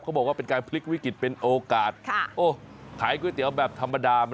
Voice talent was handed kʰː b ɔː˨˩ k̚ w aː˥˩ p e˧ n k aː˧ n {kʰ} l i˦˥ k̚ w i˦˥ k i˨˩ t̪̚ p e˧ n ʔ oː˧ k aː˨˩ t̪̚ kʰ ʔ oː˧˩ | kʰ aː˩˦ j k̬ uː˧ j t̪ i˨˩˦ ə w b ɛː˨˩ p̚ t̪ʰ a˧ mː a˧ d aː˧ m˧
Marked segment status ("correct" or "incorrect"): incorrect